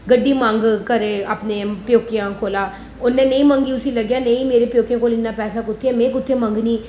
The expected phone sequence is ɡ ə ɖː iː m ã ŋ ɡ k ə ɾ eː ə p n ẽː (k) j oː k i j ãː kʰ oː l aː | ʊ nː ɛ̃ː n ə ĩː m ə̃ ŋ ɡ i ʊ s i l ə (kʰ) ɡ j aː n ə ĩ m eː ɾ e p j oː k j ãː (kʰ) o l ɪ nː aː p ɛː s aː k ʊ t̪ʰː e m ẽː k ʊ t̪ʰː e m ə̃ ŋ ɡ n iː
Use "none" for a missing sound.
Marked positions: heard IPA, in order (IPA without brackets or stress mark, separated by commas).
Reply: p, none, k